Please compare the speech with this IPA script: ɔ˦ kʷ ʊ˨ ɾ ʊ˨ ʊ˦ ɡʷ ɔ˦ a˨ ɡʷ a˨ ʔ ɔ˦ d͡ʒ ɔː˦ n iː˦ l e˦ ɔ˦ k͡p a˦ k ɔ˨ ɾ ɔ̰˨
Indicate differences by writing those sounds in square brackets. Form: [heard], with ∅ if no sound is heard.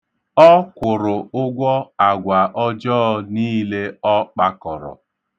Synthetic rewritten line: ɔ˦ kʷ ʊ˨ ɾ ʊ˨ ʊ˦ ɡʷ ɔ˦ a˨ ɡʷ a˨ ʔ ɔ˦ d͡ʒ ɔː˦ n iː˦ l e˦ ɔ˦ k͡p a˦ k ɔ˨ ɾ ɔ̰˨